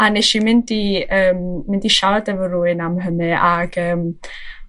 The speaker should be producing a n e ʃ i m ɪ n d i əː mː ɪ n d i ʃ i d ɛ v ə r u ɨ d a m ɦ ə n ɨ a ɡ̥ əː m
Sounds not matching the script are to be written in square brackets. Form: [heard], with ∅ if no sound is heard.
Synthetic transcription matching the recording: a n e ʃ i m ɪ n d i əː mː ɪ n d i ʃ [a] d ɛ v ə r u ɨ [n] a m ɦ ə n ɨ a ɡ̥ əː m